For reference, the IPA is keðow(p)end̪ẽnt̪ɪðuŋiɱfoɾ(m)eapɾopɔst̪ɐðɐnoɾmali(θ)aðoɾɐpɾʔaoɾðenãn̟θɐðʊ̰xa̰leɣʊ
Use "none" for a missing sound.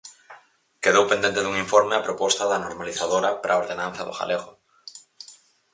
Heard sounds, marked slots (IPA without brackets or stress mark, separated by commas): p, m, θ